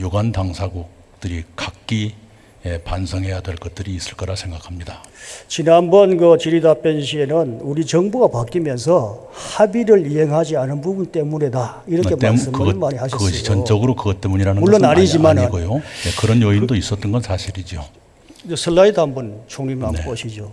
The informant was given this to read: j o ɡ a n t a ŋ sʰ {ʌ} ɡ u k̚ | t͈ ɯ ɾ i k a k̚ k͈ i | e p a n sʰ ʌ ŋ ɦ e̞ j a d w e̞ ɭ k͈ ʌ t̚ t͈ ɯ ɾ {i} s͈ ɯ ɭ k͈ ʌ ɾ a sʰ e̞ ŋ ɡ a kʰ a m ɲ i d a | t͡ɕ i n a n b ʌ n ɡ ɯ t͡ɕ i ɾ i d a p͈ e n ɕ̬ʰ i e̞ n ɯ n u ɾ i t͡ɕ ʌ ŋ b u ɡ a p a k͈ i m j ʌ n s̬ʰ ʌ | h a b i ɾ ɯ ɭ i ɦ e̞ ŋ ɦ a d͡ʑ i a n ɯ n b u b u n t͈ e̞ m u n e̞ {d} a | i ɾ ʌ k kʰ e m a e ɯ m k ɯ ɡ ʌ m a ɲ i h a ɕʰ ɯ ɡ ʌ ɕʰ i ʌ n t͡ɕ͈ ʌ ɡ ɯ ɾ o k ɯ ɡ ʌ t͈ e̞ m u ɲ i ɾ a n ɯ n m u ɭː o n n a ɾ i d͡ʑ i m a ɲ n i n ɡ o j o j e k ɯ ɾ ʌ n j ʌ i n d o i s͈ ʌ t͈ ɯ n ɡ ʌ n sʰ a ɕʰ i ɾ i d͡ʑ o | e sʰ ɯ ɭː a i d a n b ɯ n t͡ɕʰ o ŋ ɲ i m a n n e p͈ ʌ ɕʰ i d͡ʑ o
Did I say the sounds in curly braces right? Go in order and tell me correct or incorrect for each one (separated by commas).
incorrect, incorrect, correct